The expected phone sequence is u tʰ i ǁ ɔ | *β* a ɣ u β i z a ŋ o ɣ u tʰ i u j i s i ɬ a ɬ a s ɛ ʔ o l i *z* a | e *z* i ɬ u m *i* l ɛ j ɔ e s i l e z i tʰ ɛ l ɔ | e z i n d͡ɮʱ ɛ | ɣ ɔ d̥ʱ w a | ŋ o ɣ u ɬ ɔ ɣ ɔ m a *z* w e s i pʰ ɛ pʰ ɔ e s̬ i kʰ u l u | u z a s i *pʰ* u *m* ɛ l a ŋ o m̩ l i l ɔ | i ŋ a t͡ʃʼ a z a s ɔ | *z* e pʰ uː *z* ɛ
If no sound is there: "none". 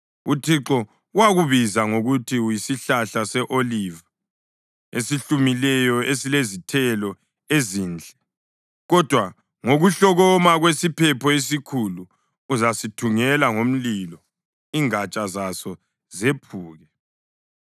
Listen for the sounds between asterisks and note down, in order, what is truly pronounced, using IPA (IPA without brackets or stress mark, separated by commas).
w, v, s, i, ɣ, tʰ, ŋ, z, ɣ